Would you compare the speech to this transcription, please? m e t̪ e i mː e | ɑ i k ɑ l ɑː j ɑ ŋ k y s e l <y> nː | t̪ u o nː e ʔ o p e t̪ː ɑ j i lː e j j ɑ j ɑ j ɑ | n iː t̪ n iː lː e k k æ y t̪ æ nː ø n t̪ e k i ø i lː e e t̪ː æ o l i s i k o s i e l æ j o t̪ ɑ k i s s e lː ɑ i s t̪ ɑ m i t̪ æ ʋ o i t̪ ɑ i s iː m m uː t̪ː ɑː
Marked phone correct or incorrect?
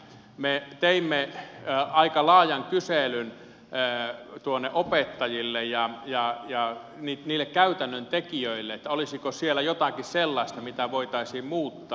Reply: correct